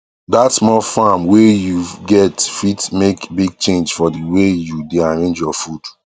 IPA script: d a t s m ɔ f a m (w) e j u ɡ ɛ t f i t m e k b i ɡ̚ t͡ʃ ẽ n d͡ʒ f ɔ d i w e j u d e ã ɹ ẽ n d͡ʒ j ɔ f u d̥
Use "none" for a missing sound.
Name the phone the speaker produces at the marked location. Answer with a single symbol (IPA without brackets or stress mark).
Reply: w